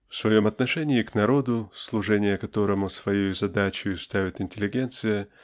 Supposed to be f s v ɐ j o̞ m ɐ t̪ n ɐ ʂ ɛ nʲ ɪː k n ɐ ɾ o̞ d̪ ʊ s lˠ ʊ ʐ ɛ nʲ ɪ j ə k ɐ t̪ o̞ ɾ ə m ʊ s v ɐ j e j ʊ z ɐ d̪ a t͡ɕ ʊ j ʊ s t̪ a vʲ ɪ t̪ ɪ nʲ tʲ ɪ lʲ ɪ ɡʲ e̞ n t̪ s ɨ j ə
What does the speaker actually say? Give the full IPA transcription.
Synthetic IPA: f s v ɐ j o̞ m ɐ t̪ n ɐ ʂ ɛ nʲ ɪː k n ɐ ɾ o̞ d̪ ʊ s lˠ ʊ ʐ ɛ nʲ ɪ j ə k ɐ t̪ o̞ ɾ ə m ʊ s v ɐ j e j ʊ z ɐ d̪ a t͡ɕ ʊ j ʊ s t̪ a vʲ ɪ t̪ ɪ nʲ tʲ ɪ lʲ ɪ ɡʲ e̞ n t̪ s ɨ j ə

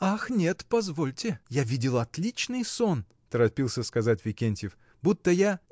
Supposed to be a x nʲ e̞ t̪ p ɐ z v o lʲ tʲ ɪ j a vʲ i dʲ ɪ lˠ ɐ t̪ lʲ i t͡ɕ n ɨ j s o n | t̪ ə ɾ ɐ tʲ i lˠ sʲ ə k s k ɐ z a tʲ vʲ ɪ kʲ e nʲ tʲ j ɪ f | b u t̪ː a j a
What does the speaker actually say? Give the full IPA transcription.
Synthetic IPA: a x nʲ e̞ t̪ p ɐ z v o lʲ tʲ ɪ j a vʲ i dʲ ɪ lˠ ɐ t̪ lʲ i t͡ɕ n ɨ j s o n | t̪ ə ɾ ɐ pʲ i lˠ sʲ ə s k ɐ z a tʲ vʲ ɪ kʲ e nʲ tʲ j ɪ f | b u t̪ː ə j a

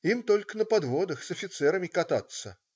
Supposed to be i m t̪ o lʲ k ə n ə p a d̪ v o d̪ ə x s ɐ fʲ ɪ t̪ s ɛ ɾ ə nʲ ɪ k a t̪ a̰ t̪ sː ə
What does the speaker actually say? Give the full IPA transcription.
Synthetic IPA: i m t̪ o lʲ k ə n ə p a d̪ v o d̪ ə x s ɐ fʲ ɪ t̪ s ɛ ɾ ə mʲ ɪ k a t̪ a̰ t̪ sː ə

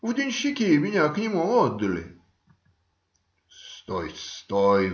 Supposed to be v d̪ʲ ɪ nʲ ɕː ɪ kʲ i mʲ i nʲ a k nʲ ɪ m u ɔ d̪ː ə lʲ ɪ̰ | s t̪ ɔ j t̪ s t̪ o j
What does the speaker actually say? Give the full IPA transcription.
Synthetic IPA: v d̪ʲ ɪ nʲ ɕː ɪ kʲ i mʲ ɪ nʲ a k nʲ ɪ m u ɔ d̪ː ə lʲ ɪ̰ | s t̪ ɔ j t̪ s t̪ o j

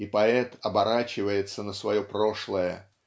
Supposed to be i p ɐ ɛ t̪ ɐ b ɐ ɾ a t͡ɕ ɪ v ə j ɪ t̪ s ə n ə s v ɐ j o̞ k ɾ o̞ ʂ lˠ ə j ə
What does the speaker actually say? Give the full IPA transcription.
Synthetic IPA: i p ɐ ɛ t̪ ɐ b ɐ ɾ a t͡ɕ ɪ v ə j ɪ t̪ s ə n ə s v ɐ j o̞ p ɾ o̞ ʂ lˠ ə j ə

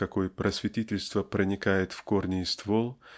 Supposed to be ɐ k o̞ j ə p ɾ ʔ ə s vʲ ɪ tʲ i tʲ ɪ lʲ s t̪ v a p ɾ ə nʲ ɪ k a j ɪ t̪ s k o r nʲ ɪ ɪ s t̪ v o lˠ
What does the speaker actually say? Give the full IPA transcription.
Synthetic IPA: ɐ k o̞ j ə p ɾ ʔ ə s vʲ ɪ tʲ i tʲ ɪ lʲ s t̪ v ə p ɾ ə nʲ ɪ k a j ɪ t̪ f k o r nʲ ɪ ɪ s t̪ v o lˠ

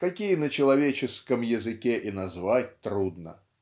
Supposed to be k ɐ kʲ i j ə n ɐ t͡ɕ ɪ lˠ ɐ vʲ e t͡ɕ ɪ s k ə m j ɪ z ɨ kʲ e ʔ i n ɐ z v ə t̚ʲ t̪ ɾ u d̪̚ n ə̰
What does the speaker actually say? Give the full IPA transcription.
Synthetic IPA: k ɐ kʲ i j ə n ə t͡ɕ ɪ lˠ ɐ vʲ e t͡ɕ ɪ s k ə m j ɪ z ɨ kʲ e ʔ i n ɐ z v a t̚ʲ t̪ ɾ u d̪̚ n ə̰

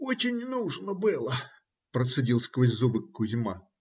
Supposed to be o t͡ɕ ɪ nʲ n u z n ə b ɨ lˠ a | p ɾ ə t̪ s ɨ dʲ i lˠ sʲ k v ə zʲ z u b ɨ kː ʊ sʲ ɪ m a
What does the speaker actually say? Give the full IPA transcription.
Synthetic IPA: o t͡ɕ ɪ nʲ n u ʐ n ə b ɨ lˠ ə | p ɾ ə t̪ s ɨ dʲ i lˠ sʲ k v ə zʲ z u b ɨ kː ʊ zʲ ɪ m a

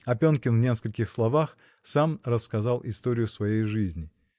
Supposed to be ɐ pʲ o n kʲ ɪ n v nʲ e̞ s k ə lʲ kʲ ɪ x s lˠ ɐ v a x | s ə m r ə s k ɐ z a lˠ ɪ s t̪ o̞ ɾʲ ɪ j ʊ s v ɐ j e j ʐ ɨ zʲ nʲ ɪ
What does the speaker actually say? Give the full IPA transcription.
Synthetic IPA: ɐ pʲ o n kʲ ɪ n v nʲ e̞ s k ə lʲ kʲ ɪ x s lˠ ɐ v a x | s a m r ə s k ɐ z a lˠ ɪ s t̪ o̞ ɾʲ ɪ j ʊ s v ɐ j e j ʐ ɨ zʲ nʲ ɪ

